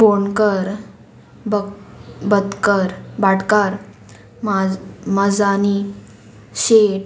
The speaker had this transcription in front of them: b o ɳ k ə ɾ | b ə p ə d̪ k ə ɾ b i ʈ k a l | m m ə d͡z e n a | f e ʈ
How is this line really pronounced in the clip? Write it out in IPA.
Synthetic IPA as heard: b o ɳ k ə ɾ | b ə b ə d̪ k ə ɾ b a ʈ k a ɾ | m m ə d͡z a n i | ɕ e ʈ